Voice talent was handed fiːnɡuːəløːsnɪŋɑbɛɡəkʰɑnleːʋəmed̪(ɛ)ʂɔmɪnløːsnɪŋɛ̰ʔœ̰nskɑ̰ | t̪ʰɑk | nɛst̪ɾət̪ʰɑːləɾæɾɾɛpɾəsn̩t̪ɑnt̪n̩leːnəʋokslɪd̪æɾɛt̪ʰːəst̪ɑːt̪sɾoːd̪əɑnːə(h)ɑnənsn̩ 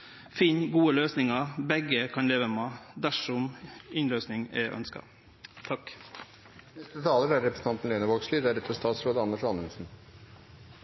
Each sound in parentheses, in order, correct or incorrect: incorrect: æ, incorrect: ʂ

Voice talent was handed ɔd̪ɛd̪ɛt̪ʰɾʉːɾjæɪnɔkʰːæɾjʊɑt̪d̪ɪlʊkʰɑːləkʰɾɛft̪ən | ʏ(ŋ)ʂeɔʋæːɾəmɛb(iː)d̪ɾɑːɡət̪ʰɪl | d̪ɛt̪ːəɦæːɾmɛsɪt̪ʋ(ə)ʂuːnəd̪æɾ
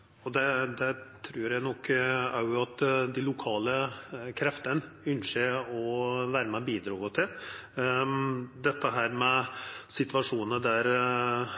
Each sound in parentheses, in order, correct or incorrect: incorrect: n, correct, incorrect: ɑ

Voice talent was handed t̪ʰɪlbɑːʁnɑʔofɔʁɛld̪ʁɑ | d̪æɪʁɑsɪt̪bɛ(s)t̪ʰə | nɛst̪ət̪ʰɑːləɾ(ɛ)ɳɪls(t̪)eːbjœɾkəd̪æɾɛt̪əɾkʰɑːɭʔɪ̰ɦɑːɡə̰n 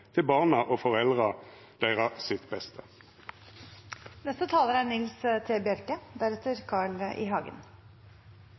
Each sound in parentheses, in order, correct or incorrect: correct, incorrect: æ, incorrect: t̪ʰ

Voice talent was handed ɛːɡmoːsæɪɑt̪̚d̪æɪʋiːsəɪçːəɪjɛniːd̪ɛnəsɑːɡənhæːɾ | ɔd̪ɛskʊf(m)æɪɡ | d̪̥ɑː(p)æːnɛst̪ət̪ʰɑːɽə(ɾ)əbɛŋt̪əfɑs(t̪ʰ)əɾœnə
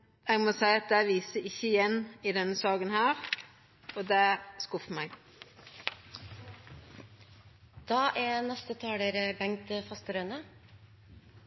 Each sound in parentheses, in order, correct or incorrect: correct, incorrect: ʔ, correct, incorrect: t̪

